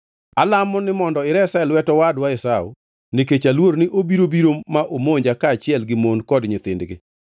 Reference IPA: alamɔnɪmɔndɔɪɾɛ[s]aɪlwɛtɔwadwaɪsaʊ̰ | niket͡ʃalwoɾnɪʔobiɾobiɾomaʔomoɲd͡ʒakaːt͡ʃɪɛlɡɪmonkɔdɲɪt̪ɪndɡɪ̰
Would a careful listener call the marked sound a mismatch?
no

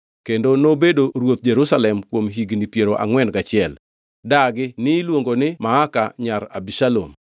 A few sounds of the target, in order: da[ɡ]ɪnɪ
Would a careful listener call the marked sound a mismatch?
no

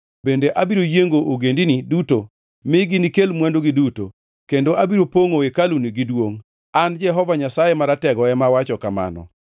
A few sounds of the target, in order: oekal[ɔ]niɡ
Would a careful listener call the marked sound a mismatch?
yes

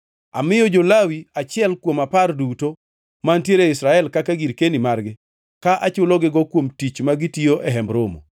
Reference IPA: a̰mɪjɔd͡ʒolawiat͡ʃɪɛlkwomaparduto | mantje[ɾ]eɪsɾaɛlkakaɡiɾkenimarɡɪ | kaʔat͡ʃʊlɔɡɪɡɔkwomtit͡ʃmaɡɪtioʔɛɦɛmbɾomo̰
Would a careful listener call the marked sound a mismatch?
no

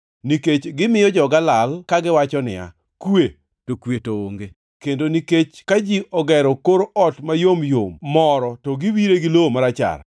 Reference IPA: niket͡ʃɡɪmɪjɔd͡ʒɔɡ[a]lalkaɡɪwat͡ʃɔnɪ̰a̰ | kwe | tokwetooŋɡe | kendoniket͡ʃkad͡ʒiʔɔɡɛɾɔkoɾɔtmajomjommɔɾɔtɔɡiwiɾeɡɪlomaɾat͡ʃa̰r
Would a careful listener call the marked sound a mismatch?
no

